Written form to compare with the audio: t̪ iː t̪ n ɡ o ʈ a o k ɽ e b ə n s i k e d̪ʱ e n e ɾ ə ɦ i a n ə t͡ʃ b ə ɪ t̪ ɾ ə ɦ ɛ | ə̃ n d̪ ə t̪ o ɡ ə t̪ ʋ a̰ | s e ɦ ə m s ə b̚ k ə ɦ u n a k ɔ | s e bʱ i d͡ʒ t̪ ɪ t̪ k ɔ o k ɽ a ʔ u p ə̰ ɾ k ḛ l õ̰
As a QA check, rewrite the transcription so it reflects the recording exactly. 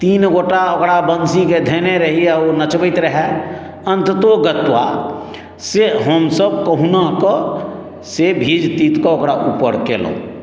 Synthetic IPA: t̪ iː n ɡ o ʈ a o k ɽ a b ə n s i k e d̪ʱ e n e ɾ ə ɦ i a n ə t͡ʃ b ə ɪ t̪ ɾ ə ɦ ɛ | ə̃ n t̪ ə t̪ o ɡ ə t̪ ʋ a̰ | s e ɦ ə m s ə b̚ k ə ɦ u n a k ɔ | s e bʱ i d͡ʒ t̪ i t̪ k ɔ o k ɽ a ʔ u p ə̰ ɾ k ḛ l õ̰